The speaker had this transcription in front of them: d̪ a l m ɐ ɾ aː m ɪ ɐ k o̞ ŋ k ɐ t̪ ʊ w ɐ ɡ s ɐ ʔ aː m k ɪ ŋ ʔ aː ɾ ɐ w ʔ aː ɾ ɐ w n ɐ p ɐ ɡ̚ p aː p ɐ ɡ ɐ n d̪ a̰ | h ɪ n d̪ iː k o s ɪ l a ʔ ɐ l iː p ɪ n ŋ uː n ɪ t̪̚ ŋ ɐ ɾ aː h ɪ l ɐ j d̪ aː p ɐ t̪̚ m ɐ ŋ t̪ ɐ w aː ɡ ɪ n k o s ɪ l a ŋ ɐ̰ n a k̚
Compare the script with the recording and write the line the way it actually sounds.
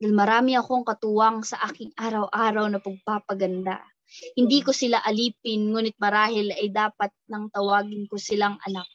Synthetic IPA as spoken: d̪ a l m ɐ ɾ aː m ɪ ɐ k o̞ ŋ k ɐ t̪ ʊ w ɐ ŋ s ɐ ʔ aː k ɪ ŋ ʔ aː ɾ ɐ w ʔ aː ɾ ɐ w n ɐ p ɐ ɡ̚ p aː p ɐ ɡ ɐ n d̪ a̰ | h ɪ n d̪ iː k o s ɪ l a ʔ ɐ l iː p ɪ n ŋ uː n ɪ t̪̚ m ɐ ɾ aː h ɪ l ɐ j d̪ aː p ɐ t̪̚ n ɐ ŋ t̪ ɐ w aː ɡ ɪ n k o s ɪ l a ŋ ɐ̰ n a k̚